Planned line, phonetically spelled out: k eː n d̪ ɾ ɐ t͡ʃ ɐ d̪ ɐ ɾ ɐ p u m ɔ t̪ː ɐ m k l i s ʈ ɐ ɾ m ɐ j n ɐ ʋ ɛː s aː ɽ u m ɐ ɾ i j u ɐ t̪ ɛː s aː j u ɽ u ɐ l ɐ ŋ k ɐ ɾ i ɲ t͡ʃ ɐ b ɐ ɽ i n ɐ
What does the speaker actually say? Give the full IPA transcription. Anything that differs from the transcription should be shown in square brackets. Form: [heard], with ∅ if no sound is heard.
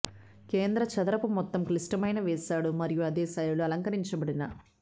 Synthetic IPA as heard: k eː n d̪ ɾ ɐ t͡ʃ ɐ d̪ ɐ ɾ ɐ p u m ɔ t̪ː ɐ m k l i s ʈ ɐ [∅] m ɐ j n ɐ ʋ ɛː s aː ɽ u m ɐ ɾ i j u ɐ [d̪] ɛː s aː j u [l] u ɐ l ɐ ŋ k ɐ ɾ i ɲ t͡ʃ ɐ b ɐ ɽ i n ɐ